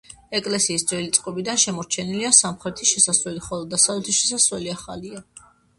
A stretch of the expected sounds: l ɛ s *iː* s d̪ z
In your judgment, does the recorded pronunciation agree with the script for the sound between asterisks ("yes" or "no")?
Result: yes